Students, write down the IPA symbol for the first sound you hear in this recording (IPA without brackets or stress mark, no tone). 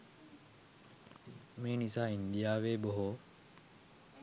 m